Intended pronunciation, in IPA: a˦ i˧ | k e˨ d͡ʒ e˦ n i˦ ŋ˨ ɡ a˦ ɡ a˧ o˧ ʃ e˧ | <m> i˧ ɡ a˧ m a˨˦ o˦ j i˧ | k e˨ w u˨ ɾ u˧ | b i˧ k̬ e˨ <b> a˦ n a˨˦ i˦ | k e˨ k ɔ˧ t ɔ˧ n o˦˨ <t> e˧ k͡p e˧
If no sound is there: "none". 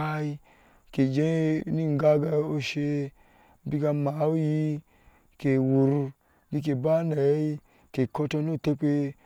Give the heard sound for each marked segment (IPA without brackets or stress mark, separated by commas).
b, b, t